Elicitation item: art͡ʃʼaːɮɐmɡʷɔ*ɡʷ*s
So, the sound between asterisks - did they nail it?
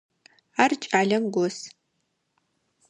no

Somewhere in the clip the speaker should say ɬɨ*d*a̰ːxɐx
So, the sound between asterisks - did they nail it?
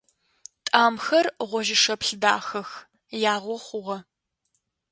yes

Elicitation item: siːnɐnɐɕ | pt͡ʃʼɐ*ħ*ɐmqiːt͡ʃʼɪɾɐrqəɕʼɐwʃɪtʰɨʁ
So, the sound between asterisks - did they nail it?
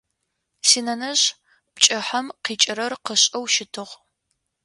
yes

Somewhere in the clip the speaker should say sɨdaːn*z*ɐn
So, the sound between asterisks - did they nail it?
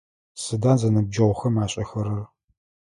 yes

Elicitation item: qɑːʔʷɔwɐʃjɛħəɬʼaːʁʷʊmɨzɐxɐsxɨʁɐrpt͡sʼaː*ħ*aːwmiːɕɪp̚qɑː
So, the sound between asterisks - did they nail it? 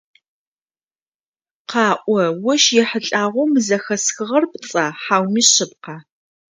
yes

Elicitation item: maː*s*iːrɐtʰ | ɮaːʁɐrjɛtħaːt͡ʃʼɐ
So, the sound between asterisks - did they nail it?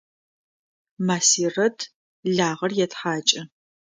yes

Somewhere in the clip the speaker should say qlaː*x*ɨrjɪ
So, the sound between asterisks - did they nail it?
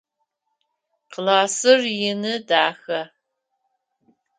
no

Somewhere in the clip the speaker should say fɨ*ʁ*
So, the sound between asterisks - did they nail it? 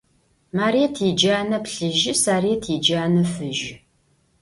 no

